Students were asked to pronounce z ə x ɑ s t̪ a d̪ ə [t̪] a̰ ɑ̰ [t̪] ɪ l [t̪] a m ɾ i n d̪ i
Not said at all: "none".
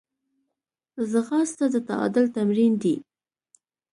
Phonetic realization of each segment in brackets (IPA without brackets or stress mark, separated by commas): t̪, d̪, t̪